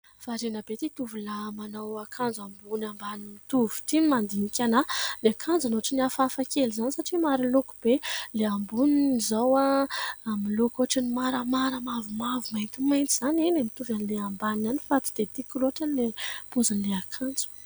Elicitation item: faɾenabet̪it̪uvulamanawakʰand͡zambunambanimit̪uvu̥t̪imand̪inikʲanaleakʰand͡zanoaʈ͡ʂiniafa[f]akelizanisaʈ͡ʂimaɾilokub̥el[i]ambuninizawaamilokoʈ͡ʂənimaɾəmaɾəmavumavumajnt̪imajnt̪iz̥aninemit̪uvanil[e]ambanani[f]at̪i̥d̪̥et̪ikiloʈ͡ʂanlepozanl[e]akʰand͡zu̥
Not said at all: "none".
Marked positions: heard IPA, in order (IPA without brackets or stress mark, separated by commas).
f, e, e, f, e